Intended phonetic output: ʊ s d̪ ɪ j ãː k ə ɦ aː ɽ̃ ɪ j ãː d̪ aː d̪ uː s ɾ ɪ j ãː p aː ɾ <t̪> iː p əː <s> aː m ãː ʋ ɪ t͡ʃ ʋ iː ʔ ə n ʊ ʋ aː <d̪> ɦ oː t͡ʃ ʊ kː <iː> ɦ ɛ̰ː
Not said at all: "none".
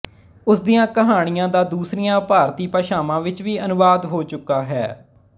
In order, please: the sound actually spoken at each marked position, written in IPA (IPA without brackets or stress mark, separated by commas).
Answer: t̪, ʃ, d̪, aː